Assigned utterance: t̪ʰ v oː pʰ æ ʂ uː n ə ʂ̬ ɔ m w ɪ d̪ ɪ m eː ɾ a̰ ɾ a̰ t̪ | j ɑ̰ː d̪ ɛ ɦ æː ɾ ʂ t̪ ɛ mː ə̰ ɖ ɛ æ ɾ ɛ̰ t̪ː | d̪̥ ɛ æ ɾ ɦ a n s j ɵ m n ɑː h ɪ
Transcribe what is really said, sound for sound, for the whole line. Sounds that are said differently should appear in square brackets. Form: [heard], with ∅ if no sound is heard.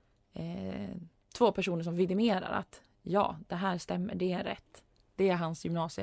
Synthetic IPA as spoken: t̪ʰ v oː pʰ æ ʂ uː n ə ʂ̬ ɔ m [v] ɪ d̪ ɪ m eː ɾ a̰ ɾ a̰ t̪ | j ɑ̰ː d̪ ɛ ɦ æː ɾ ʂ t̪ ɛ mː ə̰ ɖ ɛ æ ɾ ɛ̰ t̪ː | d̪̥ ɛ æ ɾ ɦ a n s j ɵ m n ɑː [s] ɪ